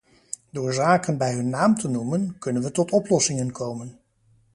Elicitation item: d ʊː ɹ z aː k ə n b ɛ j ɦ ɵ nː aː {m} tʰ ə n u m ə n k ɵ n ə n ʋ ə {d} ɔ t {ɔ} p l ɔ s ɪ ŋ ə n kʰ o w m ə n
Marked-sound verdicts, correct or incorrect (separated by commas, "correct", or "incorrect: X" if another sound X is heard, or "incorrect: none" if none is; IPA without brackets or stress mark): correct, incorrect: t, correct